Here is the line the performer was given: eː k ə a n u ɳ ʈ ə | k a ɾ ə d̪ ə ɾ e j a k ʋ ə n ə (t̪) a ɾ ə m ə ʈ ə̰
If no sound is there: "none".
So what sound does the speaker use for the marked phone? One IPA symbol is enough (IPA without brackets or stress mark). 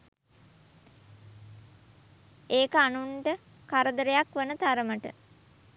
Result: t̪